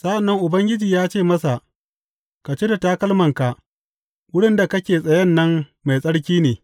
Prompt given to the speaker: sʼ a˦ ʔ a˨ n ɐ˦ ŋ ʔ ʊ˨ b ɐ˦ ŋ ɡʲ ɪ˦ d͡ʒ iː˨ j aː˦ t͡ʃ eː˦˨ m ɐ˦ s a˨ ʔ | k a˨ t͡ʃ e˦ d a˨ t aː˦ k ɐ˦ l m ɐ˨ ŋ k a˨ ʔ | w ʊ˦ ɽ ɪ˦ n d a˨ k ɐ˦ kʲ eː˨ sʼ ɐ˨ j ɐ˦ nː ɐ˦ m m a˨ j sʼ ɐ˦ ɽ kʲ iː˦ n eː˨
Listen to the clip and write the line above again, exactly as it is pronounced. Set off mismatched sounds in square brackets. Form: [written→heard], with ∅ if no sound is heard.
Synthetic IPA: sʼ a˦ ʔ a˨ [n→nː] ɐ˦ ŋ ʔ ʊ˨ b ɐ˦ ŋ ɡʲ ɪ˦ d͡ʒ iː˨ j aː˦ t͡ʃ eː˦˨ m ɐ˦ s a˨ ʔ | k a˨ t͡ʃ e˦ d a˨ t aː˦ k ɐ˦ l m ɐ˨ ŋ k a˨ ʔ | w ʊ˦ ɽ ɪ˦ n d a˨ k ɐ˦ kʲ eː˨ sʼ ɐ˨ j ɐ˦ nː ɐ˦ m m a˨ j sʼ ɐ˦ ɽ kʲ iː˦ n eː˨